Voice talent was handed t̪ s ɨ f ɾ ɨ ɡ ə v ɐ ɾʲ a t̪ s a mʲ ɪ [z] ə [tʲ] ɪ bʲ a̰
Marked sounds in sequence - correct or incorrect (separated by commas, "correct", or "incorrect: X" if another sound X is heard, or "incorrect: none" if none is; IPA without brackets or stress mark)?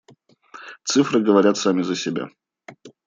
correct, incorrect: sʲ